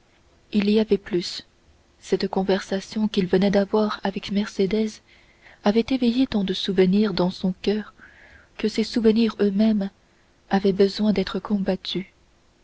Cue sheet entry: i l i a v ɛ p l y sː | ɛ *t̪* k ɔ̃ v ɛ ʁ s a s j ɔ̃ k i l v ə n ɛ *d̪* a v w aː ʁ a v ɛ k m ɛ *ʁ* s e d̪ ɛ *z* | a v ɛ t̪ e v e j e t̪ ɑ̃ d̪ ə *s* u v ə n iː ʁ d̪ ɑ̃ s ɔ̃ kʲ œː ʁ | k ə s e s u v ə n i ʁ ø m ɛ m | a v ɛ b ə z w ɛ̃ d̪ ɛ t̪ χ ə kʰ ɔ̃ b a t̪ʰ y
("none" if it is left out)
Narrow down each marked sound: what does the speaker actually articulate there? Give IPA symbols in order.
t̪, d̪, ʁ, z, s

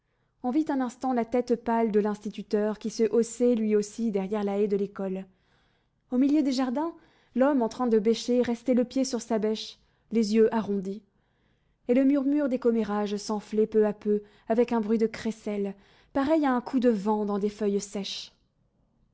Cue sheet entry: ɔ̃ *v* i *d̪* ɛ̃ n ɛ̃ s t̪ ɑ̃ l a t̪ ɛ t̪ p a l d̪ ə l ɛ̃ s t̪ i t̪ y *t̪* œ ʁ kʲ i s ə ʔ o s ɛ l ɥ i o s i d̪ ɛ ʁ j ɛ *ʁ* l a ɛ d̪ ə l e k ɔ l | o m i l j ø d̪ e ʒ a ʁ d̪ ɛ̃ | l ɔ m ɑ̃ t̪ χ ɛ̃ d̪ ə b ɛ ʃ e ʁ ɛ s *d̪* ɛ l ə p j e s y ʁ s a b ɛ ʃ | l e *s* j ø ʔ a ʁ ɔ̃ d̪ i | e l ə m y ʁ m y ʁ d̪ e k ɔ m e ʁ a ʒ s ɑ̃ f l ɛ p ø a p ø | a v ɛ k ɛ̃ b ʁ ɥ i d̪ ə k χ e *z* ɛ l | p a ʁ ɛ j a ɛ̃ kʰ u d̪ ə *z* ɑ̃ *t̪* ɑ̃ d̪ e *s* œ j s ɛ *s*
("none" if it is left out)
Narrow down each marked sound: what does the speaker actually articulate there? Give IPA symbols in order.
v, t̪, t̪, ʁ, t̪, z, s, v, d̪, f, ʃ

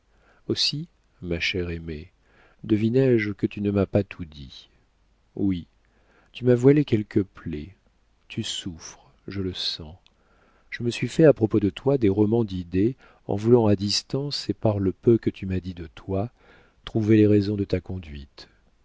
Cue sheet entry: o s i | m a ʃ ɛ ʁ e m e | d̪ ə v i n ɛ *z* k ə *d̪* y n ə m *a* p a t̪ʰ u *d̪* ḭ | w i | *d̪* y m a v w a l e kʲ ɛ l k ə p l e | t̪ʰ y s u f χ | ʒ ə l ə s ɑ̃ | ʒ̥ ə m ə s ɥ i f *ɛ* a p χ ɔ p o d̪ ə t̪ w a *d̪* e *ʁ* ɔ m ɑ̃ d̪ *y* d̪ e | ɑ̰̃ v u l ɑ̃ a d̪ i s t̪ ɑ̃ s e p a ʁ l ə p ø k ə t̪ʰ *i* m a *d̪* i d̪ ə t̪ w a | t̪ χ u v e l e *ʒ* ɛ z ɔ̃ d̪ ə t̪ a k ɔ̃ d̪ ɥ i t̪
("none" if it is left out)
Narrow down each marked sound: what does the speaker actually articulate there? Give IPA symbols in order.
ʒ, t̪, a, d̪, t̪, ɛ, d̪, ʁ, i, y, d̪, ʁ

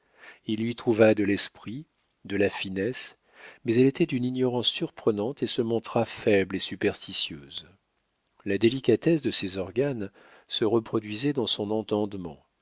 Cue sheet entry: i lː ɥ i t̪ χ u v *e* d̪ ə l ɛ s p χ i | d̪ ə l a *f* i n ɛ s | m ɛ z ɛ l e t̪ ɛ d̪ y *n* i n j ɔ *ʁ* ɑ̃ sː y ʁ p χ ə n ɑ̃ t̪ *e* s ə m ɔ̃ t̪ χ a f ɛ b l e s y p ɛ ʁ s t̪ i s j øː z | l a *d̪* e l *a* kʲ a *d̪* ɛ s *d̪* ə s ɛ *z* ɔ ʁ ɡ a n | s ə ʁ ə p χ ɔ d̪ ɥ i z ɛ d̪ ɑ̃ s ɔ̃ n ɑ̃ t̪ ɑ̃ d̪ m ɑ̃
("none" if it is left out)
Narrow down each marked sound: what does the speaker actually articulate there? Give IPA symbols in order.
a, f, n, ʁ, e, d̪, i, t̪, d̪, z

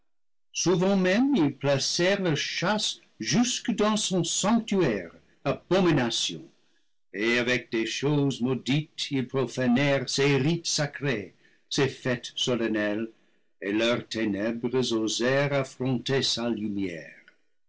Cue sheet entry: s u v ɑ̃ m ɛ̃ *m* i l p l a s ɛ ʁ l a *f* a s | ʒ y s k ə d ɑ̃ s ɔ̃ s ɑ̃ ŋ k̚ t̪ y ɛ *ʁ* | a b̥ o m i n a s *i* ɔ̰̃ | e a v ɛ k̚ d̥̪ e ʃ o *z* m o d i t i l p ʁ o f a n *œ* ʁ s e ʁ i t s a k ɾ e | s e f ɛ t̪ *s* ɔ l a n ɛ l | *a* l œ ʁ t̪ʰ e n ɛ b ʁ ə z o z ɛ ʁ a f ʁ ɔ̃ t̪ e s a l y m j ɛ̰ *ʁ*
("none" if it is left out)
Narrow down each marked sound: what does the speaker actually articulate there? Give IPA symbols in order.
m, ʃ, ʁ, j, z, ɛ, s, e, ʁ

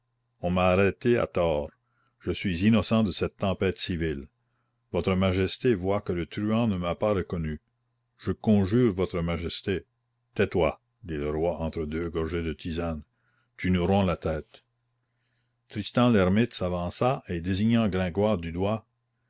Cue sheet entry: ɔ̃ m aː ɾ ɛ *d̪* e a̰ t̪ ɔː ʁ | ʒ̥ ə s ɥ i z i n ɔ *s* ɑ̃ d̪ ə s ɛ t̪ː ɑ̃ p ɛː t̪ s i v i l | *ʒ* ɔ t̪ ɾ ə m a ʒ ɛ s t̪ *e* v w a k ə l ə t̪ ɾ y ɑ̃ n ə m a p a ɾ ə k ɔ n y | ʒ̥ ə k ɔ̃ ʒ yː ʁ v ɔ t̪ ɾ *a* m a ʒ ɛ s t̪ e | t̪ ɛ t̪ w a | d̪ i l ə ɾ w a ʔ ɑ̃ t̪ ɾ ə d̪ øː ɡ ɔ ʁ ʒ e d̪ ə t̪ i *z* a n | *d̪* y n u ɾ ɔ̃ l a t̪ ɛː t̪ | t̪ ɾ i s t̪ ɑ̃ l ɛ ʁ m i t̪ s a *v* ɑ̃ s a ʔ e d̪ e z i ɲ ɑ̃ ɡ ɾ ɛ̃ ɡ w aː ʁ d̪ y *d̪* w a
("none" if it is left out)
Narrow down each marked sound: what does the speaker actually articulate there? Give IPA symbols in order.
t̪, s, v, e, ə, z, t̪, v, d̪

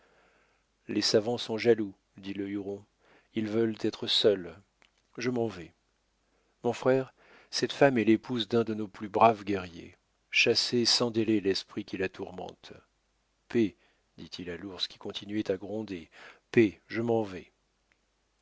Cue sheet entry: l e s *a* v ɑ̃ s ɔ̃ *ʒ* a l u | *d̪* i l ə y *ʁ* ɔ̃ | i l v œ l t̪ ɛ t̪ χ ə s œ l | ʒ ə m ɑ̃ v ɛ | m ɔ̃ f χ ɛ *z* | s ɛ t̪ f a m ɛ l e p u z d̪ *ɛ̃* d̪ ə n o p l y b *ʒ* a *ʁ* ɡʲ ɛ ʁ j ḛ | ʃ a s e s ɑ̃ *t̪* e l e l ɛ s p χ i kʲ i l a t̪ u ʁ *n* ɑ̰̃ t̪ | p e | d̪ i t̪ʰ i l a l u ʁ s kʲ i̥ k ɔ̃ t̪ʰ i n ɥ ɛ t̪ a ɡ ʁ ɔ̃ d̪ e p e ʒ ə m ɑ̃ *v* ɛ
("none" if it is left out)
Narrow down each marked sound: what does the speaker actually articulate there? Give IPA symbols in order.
a, ʒ, d̪, ʁ, ʁ, ɛ̃, ʁ, v, d̪, m, v

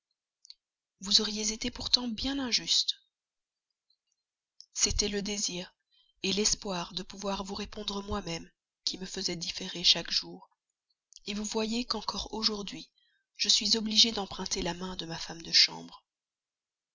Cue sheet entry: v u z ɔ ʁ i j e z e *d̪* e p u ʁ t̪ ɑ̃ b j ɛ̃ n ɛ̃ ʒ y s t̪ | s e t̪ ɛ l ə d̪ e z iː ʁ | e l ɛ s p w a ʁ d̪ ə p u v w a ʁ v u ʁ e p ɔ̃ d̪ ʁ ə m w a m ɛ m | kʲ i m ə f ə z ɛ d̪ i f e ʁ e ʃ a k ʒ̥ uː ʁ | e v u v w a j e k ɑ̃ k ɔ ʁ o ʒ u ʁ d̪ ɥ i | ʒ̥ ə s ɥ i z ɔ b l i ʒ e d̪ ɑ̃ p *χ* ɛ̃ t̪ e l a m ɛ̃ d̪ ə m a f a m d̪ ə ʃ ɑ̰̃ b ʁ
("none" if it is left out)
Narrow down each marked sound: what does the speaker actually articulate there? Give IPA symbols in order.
t̪, χ

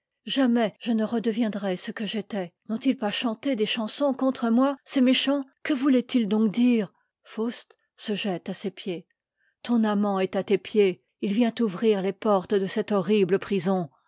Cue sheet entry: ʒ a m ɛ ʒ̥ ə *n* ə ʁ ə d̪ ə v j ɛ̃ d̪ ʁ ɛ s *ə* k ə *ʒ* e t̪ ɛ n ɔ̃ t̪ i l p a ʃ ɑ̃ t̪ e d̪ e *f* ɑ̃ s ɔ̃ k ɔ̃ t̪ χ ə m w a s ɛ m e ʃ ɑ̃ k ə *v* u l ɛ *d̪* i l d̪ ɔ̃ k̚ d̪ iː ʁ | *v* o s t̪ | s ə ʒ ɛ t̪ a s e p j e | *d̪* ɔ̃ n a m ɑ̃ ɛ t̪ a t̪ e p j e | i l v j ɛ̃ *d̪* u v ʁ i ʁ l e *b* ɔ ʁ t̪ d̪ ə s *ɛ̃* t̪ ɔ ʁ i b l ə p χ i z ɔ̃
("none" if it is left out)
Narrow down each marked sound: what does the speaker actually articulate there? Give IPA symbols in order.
n, ə, ʒ, ʃ, v, t̪, f, t̪, t̪, p, ɛ

